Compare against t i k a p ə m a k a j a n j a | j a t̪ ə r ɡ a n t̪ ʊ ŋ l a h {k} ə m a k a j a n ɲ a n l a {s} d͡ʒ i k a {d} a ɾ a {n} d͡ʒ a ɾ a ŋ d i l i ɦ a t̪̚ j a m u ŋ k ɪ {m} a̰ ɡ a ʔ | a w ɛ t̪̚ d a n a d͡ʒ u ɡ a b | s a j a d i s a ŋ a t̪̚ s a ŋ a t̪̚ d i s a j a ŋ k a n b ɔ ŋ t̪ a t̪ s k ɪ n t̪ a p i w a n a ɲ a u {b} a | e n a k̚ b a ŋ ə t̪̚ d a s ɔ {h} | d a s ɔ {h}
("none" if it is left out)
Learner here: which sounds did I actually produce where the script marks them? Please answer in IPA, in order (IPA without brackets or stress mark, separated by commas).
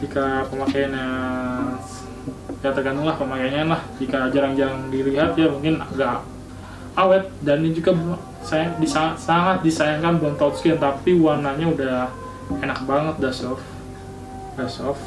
p, h, d͡ʒ, ŋ, n, d, f, f